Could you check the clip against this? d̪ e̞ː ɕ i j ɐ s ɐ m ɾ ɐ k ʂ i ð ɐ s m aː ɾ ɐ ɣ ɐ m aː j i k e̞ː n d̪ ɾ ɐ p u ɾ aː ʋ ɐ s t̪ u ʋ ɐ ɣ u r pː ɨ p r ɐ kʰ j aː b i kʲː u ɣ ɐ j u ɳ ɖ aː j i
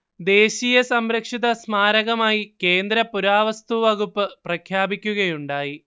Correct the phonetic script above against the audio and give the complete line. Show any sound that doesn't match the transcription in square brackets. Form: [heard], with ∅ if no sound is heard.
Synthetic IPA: d̪ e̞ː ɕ i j ɐ s ɐ m ɾ ɐ k ʂ i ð ɐ s m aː ɾ ɐ ɣ ɐ m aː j i k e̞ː n d̪ ɾ ɐ p u ɾ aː ʋ ɐ s t̪ u ʋ ɐ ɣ u [∅] pː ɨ p r ɐ kʰ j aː b i kʲː u ɣ ɐ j u ɳ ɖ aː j i